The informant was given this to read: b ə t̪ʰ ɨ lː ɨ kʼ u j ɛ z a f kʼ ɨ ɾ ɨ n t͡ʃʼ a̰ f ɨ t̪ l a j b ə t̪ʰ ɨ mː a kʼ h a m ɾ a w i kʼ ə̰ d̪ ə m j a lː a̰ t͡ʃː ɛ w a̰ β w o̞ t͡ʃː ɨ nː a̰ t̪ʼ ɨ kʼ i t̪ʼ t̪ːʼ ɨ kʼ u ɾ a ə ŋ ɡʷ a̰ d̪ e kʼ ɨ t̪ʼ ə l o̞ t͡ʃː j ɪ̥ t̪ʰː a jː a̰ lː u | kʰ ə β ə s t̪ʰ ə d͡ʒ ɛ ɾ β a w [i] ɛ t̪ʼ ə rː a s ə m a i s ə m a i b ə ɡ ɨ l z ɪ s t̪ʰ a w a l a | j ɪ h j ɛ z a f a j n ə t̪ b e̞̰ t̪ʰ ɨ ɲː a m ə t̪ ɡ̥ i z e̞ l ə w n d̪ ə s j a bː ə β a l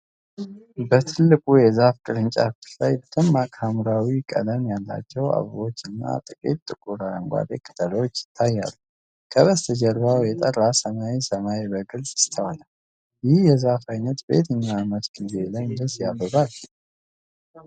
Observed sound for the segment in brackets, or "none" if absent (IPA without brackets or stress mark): j